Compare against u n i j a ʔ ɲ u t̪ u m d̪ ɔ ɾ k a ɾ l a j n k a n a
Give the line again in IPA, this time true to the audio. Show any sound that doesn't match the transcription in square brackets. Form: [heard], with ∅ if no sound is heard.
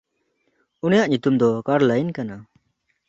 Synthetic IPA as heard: u n i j a ʔ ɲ u t̪ u m d̪ ɔ [∅] k a ɾ l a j n k a n a